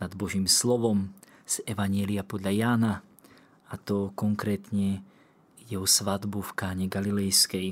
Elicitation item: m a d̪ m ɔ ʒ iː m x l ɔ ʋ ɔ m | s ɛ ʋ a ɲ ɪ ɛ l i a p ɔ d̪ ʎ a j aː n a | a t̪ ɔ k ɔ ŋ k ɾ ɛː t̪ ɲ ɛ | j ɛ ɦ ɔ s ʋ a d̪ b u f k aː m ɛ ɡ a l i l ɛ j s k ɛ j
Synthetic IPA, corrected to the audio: n a d̪ b ɔ ʒ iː m s l ɔ ʋ ɔ m | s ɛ ʋ a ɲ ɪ ɛ l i a p ɔ d̪ ʎ a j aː n a | a t̪ ɔ k ɔ ŋ k ɾ ɛː t̪ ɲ ɛ | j ɛ ɦ ɔ s ʋ a d̪ b u f k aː ɲ ɛ ɡ a l i l ɛ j s k ɛ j